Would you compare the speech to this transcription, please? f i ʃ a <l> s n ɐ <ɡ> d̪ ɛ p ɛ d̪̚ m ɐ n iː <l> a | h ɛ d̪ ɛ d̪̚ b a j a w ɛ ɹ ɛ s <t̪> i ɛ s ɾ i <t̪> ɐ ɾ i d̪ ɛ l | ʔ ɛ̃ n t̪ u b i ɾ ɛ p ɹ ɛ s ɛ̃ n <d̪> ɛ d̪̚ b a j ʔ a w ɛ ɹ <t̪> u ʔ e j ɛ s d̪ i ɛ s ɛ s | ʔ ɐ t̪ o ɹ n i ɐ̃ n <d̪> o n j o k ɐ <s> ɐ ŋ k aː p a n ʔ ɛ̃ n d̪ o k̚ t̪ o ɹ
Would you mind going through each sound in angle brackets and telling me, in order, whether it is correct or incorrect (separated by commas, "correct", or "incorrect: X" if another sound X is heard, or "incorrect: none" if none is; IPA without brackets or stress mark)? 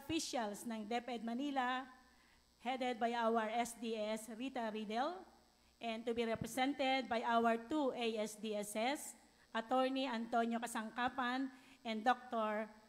correct, incorrect: ŋ, correct, incorrect: d̪, correct, incorrect: t̪, correct, incorrect: t̪, correct